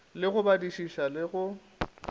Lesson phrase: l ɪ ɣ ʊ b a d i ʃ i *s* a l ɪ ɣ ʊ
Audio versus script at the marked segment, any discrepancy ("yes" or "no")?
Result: yes